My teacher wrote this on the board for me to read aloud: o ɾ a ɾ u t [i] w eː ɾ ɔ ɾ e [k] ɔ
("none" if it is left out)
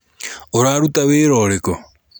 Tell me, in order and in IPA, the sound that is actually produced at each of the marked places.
a, k

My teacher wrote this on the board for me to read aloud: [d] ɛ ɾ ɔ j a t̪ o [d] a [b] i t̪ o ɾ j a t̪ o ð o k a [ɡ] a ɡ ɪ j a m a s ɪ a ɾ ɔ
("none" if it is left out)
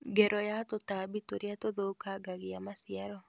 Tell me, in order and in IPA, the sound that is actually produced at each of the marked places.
ɡ, t, b, ɡ

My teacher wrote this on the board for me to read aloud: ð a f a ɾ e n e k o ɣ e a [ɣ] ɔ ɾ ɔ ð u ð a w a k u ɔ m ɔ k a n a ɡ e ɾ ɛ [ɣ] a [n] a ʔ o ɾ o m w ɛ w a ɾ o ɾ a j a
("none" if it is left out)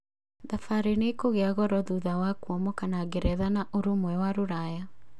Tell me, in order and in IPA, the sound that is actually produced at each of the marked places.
ɣ, ð, n

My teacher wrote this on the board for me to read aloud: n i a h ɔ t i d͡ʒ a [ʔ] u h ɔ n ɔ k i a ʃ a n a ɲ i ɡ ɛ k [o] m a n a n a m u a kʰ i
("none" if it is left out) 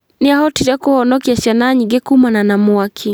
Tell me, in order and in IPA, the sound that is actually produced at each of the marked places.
k, u

